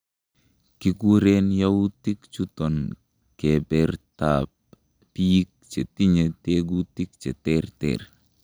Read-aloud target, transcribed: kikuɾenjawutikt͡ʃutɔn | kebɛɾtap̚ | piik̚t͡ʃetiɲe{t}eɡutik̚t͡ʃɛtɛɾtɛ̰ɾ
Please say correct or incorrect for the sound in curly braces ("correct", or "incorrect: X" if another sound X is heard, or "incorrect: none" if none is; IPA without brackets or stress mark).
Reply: correct